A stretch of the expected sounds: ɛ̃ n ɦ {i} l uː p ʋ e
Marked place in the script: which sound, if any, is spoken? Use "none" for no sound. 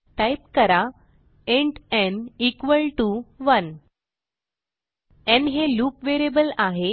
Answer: e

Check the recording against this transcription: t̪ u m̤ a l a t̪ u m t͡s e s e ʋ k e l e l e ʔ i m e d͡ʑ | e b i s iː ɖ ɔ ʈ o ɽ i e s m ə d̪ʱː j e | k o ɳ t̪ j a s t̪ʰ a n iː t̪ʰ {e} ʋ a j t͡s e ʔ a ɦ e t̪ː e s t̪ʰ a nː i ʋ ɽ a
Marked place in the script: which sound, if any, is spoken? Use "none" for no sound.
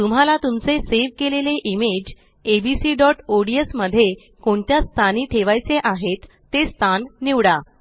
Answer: e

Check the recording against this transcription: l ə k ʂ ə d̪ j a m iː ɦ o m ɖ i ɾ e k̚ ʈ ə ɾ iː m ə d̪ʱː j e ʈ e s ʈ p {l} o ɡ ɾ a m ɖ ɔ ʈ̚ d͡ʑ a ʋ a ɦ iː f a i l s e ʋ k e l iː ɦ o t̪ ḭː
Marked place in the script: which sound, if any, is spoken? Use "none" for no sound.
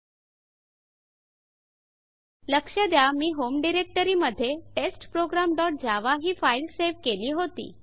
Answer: ɾ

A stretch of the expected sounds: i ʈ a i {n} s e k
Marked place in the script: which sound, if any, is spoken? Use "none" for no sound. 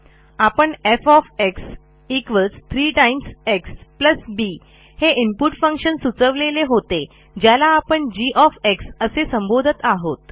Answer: m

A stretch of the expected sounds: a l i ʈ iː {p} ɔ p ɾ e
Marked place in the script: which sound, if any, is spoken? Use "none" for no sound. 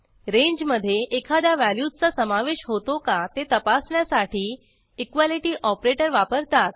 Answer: ʔ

